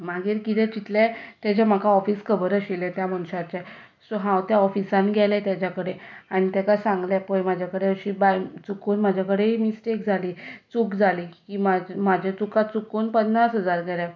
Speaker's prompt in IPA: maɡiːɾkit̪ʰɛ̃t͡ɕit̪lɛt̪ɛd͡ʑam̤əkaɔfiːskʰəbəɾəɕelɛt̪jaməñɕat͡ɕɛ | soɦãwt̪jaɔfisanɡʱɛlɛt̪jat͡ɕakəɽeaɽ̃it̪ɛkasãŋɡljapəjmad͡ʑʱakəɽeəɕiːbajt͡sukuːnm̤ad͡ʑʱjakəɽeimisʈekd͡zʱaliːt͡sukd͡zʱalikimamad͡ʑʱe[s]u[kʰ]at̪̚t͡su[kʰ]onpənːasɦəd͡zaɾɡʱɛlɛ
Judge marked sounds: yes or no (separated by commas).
no, no, no